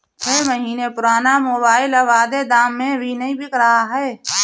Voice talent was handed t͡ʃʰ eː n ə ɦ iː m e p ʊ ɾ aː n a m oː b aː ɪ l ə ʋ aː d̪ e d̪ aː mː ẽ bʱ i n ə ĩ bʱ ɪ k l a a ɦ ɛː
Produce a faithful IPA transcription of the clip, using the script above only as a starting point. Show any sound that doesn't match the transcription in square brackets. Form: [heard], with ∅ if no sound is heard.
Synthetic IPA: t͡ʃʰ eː [m] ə ɦ iː [n] e p ʊ ɾ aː n a m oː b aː ɪ l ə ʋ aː d̪ e d̪ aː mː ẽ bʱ i n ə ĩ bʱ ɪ k [ɾ] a a ɦ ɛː